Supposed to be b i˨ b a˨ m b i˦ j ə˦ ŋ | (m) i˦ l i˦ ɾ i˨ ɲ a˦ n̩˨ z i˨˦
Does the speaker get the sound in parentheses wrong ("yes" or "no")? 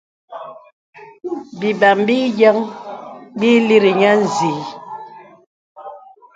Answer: yes